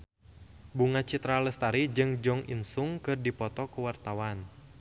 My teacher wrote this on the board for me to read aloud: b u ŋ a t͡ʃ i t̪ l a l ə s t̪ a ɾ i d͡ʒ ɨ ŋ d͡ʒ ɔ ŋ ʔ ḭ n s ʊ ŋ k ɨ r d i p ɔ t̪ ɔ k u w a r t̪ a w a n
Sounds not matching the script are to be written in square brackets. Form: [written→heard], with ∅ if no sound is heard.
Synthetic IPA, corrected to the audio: b u ŋ a t͡ʃ i t̪ [l→ɾ] a l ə s t̪ a ɾ i d͡ʒ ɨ ŋ d͡ʒ ɔ ŋ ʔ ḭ n s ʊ ŋ k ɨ r d i p ɔ t̪ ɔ k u w a r t̪ a w a n